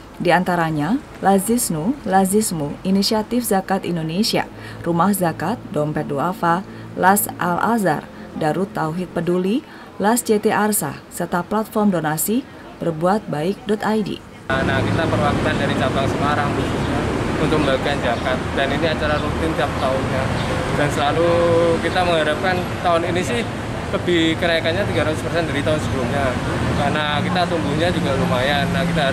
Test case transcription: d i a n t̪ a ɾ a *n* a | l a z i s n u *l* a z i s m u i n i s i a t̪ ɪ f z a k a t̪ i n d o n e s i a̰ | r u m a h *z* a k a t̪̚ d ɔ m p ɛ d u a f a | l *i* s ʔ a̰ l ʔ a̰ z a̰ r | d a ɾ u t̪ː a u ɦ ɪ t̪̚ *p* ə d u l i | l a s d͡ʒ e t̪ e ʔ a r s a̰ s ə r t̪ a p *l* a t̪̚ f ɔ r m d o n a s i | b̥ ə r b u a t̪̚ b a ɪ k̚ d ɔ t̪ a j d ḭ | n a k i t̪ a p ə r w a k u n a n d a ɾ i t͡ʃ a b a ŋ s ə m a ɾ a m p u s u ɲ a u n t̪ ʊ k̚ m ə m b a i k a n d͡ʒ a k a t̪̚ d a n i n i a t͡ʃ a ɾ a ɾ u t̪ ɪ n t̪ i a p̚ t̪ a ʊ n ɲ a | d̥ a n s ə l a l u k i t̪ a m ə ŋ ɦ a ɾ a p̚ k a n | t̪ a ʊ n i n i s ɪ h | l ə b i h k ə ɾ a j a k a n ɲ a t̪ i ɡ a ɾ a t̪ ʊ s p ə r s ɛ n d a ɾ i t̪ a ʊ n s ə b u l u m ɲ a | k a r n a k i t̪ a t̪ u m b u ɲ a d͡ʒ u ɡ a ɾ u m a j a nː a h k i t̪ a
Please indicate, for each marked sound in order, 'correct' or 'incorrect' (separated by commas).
incorrect, correct, correct, incorrect, correct, correct